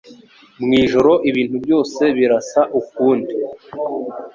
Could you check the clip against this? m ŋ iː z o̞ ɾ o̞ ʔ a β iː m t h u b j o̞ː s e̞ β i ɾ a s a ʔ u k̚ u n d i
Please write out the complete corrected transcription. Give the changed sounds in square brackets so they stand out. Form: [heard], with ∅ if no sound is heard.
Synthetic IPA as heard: m ŋ iː [ʒ] o̞ ɾ o̞ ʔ [i] β iː [n] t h u b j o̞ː s e̞ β i ɾ a s a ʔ u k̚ [uː] n d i